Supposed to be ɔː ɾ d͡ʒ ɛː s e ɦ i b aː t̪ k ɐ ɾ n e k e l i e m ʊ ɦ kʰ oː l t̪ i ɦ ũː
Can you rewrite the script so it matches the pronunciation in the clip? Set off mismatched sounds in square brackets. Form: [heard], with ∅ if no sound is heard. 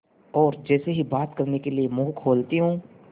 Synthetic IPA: ɔː ɾ d͡ʒ ɛː s e ɦ i b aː t̪ k ɐ ɾ n e k e l i e m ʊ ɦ kʰ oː l t̪ i ɦ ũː